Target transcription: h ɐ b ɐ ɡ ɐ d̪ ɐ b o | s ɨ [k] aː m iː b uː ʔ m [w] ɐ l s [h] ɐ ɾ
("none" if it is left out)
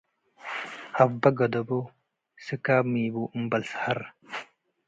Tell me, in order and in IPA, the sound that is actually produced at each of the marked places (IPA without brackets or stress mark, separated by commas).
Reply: k, b, h